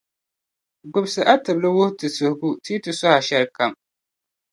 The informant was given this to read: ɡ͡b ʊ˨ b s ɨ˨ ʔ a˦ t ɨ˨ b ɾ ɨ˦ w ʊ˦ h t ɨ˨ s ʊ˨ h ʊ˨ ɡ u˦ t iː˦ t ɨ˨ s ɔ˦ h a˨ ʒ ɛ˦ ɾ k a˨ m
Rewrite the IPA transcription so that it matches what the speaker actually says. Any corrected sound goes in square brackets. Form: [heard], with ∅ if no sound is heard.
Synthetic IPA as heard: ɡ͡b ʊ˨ b s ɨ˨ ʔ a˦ t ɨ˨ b [l] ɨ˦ w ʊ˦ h t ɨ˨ s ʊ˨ h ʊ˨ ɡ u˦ t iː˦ t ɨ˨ s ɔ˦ h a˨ [ʃ] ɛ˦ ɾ k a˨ m